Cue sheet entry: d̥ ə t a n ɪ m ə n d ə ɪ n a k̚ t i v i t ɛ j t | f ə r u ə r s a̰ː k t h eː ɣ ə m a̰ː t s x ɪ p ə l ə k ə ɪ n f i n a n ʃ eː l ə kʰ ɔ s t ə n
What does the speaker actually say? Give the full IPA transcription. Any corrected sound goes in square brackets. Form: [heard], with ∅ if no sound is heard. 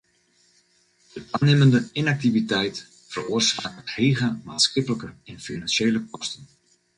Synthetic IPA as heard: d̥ ə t a n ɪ m ə n d ə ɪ n a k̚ t i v i t ɛ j t | f ə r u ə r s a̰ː k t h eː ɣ ə m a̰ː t s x ɪ p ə l ə k ə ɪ n f i n a n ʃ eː l ə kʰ ɔ s t ə n